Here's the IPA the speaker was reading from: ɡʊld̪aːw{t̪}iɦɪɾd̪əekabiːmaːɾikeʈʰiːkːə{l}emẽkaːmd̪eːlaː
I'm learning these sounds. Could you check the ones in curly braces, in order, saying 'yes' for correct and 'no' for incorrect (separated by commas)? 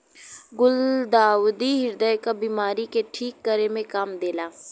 no, no